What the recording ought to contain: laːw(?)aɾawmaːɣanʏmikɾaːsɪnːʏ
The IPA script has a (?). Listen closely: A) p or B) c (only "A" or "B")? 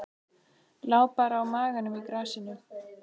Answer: A